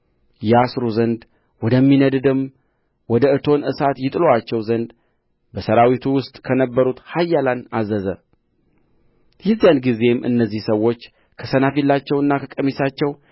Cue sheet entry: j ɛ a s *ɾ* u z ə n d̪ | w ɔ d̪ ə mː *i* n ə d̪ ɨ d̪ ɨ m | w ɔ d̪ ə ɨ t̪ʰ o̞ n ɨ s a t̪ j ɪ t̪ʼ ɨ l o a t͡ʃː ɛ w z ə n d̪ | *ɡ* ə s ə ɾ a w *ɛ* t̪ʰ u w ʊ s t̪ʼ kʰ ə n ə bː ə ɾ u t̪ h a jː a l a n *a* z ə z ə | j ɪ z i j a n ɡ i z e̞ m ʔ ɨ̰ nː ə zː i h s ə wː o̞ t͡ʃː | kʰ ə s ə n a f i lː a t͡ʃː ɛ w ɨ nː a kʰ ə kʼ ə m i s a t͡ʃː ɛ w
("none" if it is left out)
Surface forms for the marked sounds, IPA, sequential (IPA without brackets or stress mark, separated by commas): ɾ, i, b, i, a